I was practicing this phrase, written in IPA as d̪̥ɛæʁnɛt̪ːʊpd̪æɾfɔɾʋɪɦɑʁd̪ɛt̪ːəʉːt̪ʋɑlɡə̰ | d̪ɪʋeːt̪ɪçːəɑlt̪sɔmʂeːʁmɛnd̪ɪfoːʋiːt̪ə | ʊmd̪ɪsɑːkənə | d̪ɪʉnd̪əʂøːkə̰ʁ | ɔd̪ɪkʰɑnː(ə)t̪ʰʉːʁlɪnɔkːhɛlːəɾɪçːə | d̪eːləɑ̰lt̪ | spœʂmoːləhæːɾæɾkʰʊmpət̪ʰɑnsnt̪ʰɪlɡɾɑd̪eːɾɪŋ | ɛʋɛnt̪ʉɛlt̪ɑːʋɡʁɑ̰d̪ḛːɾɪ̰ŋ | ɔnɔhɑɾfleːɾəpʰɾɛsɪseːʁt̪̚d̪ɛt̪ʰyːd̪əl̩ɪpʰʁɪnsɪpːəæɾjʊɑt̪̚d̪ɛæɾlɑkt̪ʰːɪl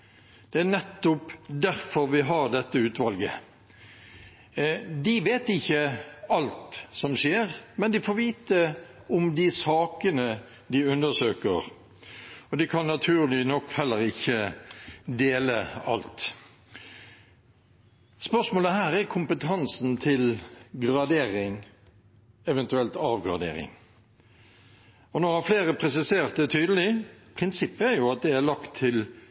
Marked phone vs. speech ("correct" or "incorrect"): incorrect